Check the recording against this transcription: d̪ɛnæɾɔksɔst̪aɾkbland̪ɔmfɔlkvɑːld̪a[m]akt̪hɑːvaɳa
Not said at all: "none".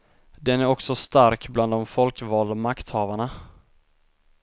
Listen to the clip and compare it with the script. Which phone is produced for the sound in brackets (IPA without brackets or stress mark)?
m